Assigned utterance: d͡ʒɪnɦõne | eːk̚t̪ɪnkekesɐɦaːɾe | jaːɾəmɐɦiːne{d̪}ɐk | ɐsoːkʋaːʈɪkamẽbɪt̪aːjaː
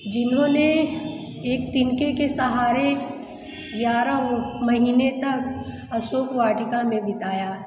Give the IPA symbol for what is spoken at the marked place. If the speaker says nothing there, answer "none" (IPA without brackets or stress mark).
t̪